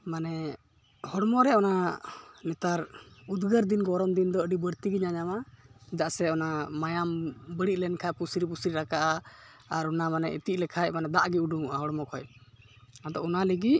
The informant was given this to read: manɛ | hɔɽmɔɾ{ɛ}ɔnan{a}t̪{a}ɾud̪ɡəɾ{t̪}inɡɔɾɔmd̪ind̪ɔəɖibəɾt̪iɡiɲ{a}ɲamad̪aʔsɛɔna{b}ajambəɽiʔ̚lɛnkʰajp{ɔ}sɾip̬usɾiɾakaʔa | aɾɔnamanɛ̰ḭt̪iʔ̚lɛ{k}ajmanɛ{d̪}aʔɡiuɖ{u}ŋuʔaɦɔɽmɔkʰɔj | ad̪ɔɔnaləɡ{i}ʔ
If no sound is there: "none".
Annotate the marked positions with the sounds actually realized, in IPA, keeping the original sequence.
ɛ, ɛ, a, d̪, a, m, u, kʰ, d̪, u, i

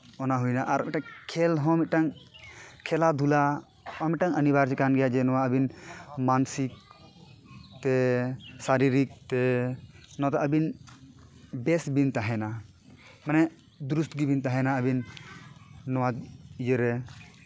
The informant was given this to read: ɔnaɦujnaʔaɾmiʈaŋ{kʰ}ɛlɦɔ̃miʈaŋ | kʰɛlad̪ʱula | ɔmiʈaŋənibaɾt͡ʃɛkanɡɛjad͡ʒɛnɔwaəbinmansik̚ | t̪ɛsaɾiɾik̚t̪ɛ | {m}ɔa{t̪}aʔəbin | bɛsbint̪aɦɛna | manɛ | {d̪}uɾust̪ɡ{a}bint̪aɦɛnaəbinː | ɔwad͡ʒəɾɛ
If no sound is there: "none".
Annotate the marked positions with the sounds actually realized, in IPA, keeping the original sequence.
kʰ, n, t̪, d̪, i

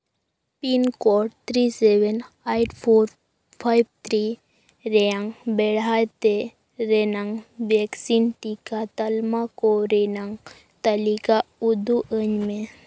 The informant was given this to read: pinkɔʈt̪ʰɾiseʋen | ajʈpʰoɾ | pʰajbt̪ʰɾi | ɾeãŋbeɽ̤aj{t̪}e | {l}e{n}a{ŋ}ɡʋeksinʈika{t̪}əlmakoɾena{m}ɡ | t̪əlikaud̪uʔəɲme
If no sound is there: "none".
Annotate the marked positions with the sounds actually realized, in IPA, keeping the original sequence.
t̪, ɾ, n, ŋ, t̪, ŋ

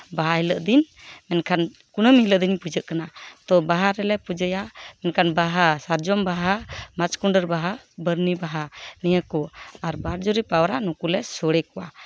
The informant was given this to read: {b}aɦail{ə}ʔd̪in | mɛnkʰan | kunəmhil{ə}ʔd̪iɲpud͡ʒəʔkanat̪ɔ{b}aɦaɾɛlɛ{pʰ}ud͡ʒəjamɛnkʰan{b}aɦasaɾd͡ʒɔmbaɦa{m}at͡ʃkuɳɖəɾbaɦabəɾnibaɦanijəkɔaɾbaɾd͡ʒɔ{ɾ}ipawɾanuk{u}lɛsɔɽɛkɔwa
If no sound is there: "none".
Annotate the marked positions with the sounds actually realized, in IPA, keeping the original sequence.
b, ə, ə, b, p, b, m, ɾ, u

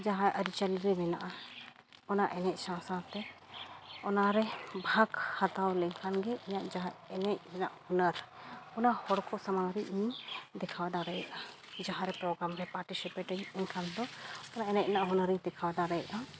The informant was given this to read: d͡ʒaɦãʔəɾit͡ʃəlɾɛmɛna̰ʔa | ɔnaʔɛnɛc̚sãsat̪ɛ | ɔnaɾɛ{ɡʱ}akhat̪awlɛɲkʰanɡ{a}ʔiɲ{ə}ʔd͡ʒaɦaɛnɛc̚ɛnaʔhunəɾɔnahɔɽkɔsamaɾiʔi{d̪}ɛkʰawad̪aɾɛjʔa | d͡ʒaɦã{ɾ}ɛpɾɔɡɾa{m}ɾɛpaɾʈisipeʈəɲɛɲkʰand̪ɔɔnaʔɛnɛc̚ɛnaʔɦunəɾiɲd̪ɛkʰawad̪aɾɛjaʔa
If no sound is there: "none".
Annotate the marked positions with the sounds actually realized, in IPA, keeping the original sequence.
bʱ, ɛ, a, d̪, ɾ, m

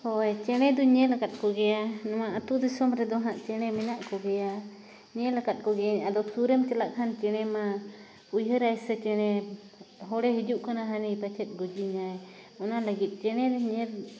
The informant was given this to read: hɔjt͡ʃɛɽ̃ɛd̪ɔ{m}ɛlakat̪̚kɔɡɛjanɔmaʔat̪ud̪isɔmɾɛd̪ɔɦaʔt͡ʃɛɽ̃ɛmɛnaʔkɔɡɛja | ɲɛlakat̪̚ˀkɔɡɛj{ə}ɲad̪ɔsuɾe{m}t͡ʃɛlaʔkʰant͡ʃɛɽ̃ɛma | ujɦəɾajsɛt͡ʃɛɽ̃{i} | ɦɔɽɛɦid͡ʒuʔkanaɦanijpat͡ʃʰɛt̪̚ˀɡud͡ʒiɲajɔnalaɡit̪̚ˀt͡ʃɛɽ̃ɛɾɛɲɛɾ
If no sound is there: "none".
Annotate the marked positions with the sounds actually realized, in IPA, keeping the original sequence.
ɲ, a, m, ɛ

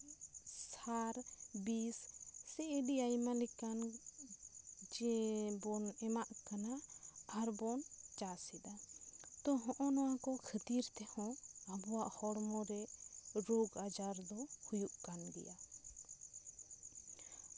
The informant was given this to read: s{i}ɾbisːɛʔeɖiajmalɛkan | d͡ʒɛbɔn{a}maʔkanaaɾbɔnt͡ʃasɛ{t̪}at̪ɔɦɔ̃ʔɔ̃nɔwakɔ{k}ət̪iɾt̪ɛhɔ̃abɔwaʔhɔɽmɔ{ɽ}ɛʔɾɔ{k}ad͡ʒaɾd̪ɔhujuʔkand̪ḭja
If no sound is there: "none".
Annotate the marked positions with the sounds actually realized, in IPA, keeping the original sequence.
a, ɛ, d̪, kʰ, ɾ, ɡ

